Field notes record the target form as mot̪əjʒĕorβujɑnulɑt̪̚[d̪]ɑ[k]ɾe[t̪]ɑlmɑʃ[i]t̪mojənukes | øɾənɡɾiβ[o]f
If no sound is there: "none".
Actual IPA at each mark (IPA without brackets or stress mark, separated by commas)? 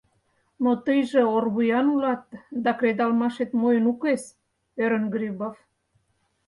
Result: d̪, k, d̪, e, o